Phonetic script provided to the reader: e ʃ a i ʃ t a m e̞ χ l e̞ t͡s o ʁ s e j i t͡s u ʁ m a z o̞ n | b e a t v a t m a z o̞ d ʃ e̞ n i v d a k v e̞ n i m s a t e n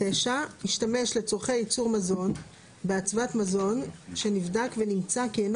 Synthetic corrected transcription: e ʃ a i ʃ t a m e̞ ʃ l e̞ t͡s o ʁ χ e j i t͡s u ʁ m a z o̞ n | b e a t͡s v a t m a z o̞ n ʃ e̞ n i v d a k v e̞ n i m t͡s a k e n